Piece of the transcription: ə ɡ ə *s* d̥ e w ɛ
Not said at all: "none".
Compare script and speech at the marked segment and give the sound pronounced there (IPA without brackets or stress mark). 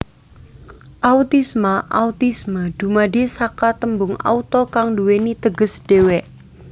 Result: s